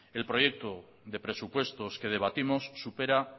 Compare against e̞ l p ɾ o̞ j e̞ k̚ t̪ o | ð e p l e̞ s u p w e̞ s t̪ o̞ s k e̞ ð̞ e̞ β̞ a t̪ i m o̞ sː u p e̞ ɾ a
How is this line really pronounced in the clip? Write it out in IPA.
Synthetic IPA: e̞ l p ɾ o̞ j e̞ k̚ t̪ o | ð e p ɾ e̞ s u p w e̞ s t̪ o̞ s k e̞ ð̞ e̞ β̞ a t̪ i m o̞ sː u p e̞ ɾ a